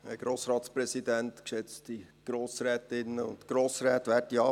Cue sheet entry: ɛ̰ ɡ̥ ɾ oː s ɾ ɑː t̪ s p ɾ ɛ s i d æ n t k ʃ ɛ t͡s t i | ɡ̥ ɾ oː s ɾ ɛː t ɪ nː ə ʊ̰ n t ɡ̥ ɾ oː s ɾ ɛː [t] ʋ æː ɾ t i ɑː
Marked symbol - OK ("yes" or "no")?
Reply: yes